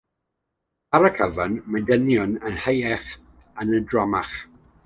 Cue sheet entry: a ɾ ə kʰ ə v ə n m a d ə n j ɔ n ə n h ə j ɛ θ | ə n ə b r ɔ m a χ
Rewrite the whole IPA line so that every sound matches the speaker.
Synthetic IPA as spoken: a ɾ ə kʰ ə v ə n m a d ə n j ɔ n ə n h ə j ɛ χ | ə n ə d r ɔ m a χ